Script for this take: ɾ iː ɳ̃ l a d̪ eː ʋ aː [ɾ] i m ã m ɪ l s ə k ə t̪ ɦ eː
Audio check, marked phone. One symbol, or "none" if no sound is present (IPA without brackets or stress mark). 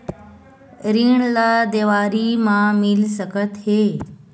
ɾ